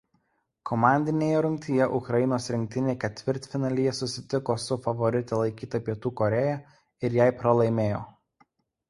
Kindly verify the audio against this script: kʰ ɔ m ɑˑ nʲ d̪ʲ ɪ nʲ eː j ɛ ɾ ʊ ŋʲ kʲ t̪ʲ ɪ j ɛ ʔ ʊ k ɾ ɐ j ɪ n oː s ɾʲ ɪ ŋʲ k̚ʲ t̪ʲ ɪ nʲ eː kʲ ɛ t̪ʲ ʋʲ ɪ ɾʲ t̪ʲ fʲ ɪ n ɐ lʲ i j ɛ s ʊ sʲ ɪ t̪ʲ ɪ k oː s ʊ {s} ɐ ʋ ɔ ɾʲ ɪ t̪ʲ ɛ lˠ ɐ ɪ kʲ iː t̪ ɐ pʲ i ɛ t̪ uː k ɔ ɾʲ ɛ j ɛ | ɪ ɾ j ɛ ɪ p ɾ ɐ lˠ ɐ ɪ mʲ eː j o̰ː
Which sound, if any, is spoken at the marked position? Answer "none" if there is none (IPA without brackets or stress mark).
f